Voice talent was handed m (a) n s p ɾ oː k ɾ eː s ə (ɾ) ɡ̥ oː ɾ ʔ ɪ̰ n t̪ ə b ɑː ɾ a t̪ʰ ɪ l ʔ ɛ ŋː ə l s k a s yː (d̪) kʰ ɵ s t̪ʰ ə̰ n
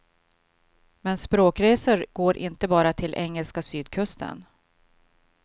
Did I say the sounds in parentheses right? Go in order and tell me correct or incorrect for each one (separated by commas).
incorrect, correct, correct